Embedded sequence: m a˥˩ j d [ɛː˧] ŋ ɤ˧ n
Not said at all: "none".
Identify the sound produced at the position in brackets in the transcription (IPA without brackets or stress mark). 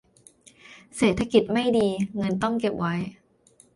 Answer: iː˧